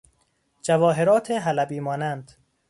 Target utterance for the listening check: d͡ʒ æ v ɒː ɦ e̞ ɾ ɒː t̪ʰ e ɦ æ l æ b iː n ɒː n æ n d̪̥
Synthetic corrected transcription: d͡ʒ æ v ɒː ɦ e̞ ɾ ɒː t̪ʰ e ɦ æ l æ b iː m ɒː n æ n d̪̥